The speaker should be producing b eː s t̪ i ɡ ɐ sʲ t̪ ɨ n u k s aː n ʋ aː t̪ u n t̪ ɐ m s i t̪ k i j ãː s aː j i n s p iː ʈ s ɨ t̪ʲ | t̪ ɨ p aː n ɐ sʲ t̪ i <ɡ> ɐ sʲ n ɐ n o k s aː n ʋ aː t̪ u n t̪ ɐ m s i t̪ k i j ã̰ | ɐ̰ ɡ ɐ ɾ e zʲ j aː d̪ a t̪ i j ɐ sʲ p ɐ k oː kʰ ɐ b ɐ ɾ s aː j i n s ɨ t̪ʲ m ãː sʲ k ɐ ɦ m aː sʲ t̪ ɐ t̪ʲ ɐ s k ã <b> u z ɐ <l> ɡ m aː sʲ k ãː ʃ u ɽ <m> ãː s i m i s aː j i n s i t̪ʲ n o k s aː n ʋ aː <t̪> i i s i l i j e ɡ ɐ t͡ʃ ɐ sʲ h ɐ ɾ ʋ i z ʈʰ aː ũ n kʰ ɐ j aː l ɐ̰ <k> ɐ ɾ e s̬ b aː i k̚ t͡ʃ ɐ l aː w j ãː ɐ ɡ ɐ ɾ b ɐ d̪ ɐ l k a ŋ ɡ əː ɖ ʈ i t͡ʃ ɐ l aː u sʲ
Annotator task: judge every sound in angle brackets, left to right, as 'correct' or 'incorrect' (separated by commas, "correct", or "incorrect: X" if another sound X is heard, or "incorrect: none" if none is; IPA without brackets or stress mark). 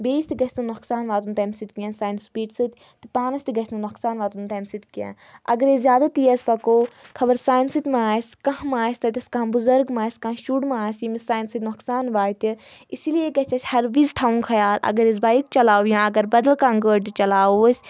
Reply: correct, correct, incorrect: ɾ, correct, correct, incorrect: ɡ